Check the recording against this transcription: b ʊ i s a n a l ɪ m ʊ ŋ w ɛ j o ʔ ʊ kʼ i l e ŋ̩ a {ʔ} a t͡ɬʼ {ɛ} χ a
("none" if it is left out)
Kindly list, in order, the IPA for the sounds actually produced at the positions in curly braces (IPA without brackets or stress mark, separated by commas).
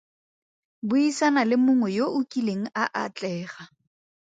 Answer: ʔ, ɛː